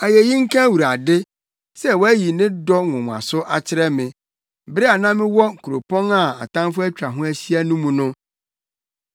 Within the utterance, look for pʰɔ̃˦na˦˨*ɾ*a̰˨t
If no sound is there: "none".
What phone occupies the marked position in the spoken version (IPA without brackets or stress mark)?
none